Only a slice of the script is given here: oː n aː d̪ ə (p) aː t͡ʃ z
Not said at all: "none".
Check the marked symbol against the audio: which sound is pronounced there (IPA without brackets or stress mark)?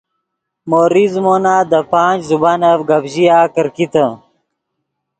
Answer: p